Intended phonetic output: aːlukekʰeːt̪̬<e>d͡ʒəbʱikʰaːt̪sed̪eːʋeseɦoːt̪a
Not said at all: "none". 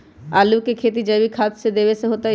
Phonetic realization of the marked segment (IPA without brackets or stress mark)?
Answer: i